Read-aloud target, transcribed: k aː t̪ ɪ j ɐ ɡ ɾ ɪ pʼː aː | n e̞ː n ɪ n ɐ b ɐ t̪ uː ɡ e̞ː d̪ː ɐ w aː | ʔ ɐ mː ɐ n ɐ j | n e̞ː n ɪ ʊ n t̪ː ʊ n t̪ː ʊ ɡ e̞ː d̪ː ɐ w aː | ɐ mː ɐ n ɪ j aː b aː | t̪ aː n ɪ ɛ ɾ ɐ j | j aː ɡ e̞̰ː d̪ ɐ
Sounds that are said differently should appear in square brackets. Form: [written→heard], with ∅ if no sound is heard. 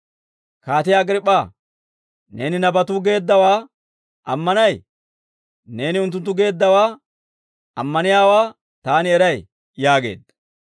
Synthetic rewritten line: k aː t̪ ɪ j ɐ ɡ ɾ ɪ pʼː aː | n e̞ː n ɪ n ɐ b ɐ t̪ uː ɡ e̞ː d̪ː ɐ w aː | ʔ ɐ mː ɐ n ɐ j | n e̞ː n ɪ ʊ n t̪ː ʊ n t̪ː ʊ ɡ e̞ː d̪ː ɐ w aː | ɐ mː ɐ n ɪ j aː [b→w] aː | t̪ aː n ɪ ɛ ɾ ɐ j | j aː ɡ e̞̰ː d̪ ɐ

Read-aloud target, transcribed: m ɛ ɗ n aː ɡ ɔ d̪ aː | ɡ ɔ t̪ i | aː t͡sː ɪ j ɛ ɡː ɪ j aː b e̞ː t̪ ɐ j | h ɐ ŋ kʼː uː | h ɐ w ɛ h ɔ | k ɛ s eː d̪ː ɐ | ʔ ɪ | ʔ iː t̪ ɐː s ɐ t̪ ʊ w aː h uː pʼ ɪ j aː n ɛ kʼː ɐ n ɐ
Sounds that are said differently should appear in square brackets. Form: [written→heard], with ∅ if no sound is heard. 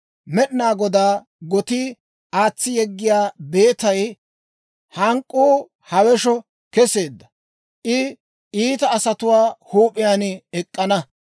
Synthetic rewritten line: m ɛ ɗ n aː ɡ ɔ d̪ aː | ɡ ɔ t̪ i | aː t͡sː ɪ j ɛ ɡː ɪ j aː b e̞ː t̪ ɐ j | h ɐ ŋ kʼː uː | h ɐ w ɛ [h→ʃ] ɔ | k ɛ s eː d̪ː ɐ | ʔ ɪ | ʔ iː t̪ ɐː s ɐ t̪ ʊ w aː h uː pʼ ɪ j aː n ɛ kʼː ɐ n ɐ

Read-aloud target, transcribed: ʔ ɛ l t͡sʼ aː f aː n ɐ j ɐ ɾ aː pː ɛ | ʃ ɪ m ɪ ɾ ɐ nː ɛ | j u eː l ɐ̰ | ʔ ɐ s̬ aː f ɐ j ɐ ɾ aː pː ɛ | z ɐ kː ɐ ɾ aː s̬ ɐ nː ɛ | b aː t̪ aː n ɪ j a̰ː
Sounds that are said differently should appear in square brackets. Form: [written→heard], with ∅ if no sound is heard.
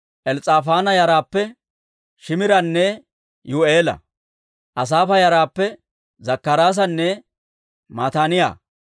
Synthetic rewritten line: ʔ ɛ l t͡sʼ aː f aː n ɐ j ɐ ɾ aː pː ɛ | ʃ ɪ m ɪ ɾ ɐ nː ɛ | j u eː l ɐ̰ | ʔ ɐ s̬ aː f ɐ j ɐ ɾ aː pː ɛ | z ɐ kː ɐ ɾ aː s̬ ɐ nː ɛ | [b→m] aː t̪ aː n ɪ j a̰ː

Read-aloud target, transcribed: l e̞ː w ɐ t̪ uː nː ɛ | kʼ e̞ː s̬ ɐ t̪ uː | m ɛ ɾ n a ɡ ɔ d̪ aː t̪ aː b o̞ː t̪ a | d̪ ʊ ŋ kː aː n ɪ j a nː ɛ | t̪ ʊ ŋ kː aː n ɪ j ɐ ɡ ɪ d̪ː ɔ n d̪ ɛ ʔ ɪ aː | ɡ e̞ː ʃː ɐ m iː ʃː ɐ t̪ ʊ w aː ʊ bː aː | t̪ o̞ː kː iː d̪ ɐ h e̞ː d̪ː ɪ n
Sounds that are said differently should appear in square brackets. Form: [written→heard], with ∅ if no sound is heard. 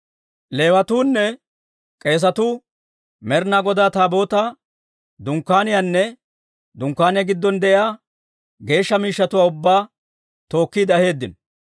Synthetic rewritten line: l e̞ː w ɐ t̪ uː nː ɛ | kʼ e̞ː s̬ ɐ t̪ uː | m ɛ ɾ n a ɡ ɔ d̪ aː t̪ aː b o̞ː t̪ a | d̪ ʊ ŋ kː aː n ɪ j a nː ɛ | [t̪→d̪] ʊ ŋ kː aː n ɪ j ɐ ɡ ɪ d̪ː ɔ n d̪ ɛ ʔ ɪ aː | ɡ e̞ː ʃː ɐ m iː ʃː ɐ t̪ ʊ w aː ʊ bː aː | t̪ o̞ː kː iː d̪ ɐ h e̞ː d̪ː ɪ n

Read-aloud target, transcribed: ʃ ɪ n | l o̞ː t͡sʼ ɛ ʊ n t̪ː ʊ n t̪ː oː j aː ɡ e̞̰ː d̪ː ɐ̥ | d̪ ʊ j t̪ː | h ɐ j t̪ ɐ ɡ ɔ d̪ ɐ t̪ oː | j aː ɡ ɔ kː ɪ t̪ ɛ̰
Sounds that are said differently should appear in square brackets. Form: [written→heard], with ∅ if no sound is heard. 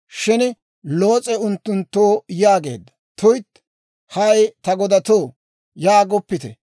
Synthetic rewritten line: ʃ ɪ n | l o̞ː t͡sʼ ɛ ʊ n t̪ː ʊ n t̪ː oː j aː ɡ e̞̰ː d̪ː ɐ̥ | [d̪→t̪] ʊ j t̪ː | h ɐ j t̪ ɐ ɡ ɔ d̪ ɐ t̪ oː | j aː ɡ ɔ [kː→pː] ɪ t̪ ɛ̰

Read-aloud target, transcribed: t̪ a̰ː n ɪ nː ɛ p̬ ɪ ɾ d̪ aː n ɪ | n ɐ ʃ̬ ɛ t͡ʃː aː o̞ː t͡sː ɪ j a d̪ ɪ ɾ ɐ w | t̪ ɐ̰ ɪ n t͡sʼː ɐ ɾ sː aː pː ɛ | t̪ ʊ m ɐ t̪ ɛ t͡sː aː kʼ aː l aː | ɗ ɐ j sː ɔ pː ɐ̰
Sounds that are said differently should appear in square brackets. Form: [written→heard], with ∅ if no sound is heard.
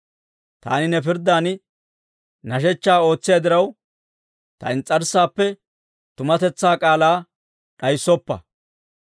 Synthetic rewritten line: t̪ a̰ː n ɪ [nː→n] ɛ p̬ ɪ ɾ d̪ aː n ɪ | n ɐ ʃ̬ ɛ t͡ʃː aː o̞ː t͡sː ɪ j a d̪ ɪ ɾ ɐ w | t̪ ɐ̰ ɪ n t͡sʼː ɐ ɾ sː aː pː ɛ | t̪ ʊ m ɐ t̪ ɛ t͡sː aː kʼ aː l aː | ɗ ɐ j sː ɔ pː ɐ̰

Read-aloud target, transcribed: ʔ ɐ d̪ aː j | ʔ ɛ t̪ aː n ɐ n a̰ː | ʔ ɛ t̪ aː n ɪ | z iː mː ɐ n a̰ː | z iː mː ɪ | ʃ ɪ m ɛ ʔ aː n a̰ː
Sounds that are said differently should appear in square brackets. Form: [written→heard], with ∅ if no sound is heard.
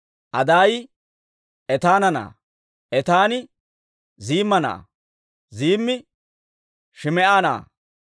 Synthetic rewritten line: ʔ ɐ d̪ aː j | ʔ ɛ t̪ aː n ɐ n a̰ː | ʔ ɛ t̪ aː n ɪ | z iː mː ɐ n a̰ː | z iː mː ɪ | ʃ ɪ m ɛ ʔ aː n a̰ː

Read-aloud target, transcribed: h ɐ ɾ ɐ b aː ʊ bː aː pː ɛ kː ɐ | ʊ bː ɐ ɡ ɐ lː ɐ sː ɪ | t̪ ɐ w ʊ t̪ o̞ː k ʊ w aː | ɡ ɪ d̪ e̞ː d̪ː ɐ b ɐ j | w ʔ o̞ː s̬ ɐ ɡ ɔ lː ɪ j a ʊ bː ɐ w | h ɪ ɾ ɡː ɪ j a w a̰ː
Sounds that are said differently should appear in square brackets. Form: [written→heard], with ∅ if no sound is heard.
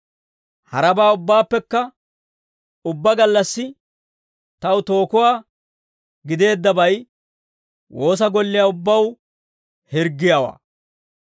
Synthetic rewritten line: h ɐ ɾ ɐ b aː ʊ bː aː pː ɛ kː ɐ | ʊ bː ɐ ɡ ɐ lː ɐ sː ɪ | t̪ ɐ w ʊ t̪ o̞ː k ʊ w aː | ɡ ɪ d̪ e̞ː d̪ː ɐ b ɐ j | w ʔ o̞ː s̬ ɐ ɡ ɔ lː ɪ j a ʊ bː ɐ w | h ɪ ɾ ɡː ɪ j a w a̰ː

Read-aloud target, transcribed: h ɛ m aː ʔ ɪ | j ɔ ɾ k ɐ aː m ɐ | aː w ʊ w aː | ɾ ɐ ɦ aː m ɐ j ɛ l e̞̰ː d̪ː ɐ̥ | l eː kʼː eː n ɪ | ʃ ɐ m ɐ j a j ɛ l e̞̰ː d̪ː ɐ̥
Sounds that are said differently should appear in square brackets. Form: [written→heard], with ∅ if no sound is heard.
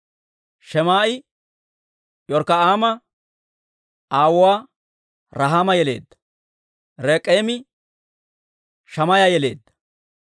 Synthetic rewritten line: [h→ʃ] ɛ m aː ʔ ɪ | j ɔ ɾ k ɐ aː m ɐ | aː w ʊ w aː | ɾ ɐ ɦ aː m ɐ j ɛ l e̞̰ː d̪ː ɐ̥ | [l→ɾ] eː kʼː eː [n→m] ɪ | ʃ ɐ m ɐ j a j ɛ l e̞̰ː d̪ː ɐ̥

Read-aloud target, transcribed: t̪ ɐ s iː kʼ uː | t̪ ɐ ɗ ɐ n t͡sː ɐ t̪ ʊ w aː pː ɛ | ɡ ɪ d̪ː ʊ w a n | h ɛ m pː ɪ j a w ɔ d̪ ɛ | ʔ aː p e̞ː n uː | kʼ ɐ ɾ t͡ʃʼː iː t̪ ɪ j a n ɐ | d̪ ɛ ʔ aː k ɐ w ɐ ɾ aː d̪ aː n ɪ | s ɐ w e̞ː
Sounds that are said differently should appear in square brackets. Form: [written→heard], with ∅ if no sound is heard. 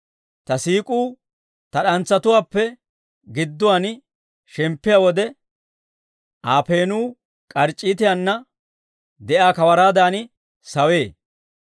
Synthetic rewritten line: t̪ ɐ s iː kʼ uː | t̪ ɐ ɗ ɐ n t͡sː ɐ t̪ ʊ w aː pː ɛ | ɡ ɪ d̪ː ʊ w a n | [h→ʃ] ɛ m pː ɪ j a w ɔ d̪ ɛ | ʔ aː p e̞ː n uː | kʼ ɐ ɾ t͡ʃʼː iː t̪ ɪ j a [n→nː] ɐ | d̪ ɛ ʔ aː k ɐ w ɐ ɾ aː d̪ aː n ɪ | s ɐ w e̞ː

